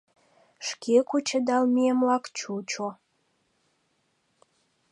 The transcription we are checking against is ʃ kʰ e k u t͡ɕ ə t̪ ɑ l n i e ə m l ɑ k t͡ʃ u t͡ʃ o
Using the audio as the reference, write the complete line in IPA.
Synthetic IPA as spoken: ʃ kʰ e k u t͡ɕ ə d̪ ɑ l m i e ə m l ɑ k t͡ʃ u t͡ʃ o

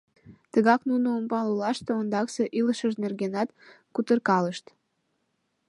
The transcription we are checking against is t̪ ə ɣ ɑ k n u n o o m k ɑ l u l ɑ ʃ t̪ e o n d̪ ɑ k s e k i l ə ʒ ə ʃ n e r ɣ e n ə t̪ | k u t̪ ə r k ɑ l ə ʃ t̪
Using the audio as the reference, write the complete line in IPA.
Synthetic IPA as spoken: t̪ ə ɣ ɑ k n u n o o m p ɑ l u l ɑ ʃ t̪ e o n d̪ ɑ k s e ʔ i l ə ʃ ə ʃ n e r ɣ e n ɑ t̪ | k u t̪ ə r k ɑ l ə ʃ t̪

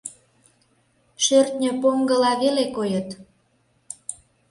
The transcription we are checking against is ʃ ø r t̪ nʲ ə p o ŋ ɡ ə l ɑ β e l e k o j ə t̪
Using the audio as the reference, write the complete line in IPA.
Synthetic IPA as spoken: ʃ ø r t̪ nʲ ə p o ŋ ɡ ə l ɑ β e l e k o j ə t̪

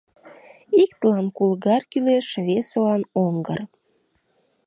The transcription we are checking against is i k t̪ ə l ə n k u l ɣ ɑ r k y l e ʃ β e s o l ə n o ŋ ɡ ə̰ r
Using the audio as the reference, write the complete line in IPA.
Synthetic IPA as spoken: i k t̪ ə l ɑ n k u l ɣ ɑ r k y l e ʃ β e s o l ɑ n o ŋ ɡ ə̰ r

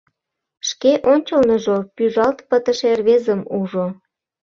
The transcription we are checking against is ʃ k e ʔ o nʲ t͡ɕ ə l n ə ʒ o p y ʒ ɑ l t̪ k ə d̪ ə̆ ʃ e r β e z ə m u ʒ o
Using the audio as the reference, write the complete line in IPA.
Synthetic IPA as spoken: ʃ k e ʔ o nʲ t͡ɕ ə l n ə ʒ o p y ʒ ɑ l t̪ p ə t̪ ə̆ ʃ e r β e z ə m u ʒ o

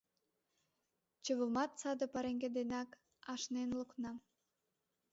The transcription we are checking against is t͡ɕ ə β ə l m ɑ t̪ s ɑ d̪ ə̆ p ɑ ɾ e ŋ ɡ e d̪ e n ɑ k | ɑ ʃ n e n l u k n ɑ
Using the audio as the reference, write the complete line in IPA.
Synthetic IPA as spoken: t͡ɕ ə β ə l m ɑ t̪ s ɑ d̪ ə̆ p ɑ ɾ e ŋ ɡ e d̪ e n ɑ k | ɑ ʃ n e n l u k n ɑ

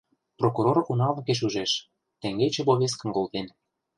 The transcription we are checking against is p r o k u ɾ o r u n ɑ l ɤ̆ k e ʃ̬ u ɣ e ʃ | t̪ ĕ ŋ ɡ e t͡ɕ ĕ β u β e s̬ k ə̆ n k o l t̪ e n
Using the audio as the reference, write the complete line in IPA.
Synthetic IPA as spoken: p r o k u ɾ o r u n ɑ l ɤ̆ k e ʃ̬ u ʒ e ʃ | t̪ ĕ ŋ ɡ e t͡ɕ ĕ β o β e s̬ k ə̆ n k o l t̪ e n

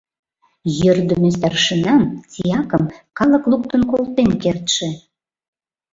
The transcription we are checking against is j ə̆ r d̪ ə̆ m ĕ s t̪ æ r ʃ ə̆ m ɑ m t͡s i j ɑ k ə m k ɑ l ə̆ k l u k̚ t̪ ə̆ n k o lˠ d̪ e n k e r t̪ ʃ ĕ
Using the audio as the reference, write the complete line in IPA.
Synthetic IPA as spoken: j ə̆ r d̪ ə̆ m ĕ s t̪ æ r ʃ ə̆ n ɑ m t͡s i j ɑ k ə m k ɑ l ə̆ k l u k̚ t̪ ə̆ n k o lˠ t̪ e n k e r t̪ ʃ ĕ

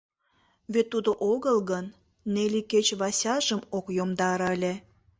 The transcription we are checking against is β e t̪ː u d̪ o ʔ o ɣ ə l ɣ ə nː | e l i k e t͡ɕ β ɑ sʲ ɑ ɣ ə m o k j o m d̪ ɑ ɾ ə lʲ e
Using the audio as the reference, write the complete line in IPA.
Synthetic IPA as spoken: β e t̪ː u d̪ o ʔ o ɣ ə l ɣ ə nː | e l i k e t͡ɕ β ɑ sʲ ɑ ʒ ə m o k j o m d̪ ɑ ɾ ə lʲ e

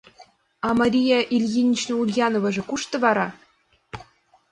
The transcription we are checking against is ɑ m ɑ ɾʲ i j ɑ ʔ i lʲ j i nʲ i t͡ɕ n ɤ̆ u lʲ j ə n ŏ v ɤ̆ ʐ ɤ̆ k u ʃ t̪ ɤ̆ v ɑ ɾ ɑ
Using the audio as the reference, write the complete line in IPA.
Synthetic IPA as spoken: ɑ m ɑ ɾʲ i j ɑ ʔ i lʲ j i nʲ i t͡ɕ n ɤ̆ u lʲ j ɑ n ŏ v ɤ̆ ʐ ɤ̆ k u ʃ t̪ ɤ̆ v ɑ ɾ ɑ

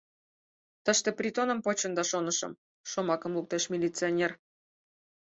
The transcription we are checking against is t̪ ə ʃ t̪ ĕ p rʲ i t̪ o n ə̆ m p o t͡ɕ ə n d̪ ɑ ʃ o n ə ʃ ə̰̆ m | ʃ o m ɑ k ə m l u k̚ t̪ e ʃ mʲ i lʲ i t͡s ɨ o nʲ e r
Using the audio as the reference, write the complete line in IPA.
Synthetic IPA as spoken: t̪ ə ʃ t̪ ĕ p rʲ i t̪ o n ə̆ m p o t͡ɕ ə n d̪ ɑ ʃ o n ə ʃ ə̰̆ m | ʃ o m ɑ k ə m l u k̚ t̪ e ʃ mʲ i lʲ i t͡s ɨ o nʲ e r

